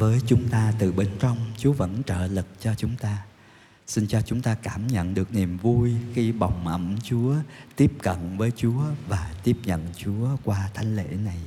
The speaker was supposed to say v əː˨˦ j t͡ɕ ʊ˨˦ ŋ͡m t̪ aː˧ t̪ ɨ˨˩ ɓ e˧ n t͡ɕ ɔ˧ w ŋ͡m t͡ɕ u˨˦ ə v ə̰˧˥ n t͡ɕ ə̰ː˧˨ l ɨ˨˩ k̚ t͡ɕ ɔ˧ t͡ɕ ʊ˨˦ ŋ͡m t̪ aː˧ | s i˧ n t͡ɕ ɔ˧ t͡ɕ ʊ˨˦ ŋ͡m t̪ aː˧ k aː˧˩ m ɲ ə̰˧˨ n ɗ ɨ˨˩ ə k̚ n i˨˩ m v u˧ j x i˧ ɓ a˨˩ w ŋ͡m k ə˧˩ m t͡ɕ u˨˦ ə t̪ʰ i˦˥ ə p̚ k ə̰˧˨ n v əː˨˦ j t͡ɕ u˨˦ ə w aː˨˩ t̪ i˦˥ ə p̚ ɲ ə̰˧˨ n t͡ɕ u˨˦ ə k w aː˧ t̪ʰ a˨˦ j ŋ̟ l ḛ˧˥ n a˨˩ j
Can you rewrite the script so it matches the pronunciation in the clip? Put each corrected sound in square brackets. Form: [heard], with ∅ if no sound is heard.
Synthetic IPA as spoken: v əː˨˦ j t͡ɕ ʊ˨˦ ŋ͡m t̪ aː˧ t̪ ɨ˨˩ ɓ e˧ n t͡ɕ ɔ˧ w ŋ͡m t͡ɕ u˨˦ ə v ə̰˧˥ n t͡ɕ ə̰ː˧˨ l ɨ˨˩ k̚ t͡ɕ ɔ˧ t͡ɕ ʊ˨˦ ŋ͡m t̪ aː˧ | s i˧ n t͡ɕ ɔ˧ t͡ɕ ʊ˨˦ ŋ͡m t̪ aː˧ k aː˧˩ m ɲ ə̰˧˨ n ɗ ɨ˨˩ ə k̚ n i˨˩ m v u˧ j x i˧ ɓ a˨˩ w ŋ͡m [ʔ] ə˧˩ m t͡ɕ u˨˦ ə [t̪] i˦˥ ə p̚ k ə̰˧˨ n v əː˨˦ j t͡ɕ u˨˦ ə [v] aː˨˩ t̪ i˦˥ ə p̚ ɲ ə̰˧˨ n t͡ɕ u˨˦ ə k w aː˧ t̪ʰ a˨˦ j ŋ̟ l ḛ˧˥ n a˨˩ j